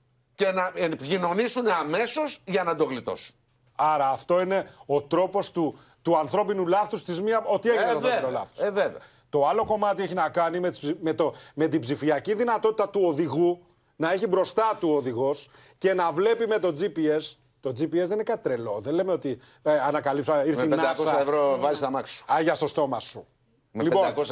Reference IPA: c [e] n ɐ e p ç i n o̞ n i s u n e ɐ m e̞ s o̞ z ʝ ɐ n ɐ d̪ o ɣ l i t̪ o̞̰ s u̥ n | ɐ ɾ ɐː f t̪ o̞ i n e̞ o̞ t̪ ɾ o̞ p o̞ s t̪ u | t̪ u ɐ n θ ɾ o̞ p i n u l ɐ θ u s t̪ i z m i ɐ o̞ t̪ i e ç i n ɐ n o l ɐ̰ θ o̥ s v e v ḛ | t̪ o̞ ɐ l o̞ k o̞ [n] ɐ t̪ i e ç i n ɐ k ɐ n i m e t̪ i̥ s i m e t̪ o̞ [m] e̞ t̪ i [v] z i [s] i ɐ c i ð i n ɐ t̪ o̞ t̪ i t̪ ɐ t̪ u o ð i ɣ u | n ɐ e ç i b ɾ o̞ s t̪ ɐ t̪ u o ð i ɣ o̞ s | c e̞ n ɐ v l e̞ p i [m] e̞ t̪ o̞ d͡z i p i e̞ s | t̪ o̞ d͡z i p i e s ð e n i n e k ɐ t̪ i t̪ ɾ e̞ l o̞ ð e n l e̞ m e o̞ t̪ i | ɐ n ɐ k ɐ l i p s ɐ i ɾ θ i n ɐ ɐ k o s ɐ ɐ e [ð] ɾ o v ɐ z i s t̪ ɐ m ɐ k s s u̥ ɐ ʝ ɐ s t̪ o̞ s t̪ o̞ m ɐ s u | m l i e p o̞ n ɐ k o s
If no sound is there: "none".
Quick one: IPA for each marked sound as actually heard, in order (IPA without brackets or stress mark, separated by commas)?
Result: e, m, m, b, f, m, v